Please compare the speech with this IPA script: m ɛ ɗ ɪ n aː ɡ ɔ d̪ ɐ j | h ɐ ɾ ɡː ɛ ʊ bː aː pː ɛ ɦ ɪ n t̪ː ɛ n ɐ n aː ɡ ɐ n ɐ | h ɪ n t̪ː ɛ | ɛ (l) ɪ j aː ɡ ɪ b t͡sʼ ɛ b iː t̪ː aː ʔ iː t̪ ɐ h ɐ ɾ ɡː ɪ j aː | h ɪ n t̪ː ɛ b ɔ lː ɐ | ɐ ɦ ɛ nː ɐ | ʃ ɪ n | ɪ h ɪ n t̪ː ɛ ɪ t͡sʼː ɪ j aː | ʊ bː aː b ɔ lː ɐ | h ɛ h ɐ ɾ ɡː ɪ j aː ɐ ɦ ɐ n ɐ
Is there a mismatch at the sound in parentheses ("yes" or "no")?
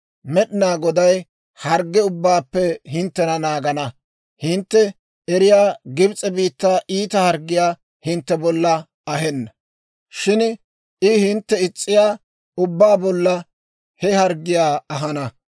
yes